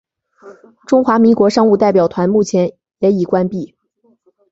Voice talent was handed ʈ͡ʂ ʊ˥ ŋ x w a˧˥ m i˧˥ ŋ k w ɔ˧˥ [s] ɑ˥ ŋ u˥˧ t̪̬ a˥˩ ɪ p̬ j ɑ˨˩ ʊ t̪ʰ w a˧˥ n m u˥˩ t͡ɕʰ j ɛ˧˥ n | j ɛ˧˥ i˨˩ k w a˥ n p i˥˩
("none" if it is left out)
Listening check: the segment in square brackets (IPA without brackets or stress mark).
ʂ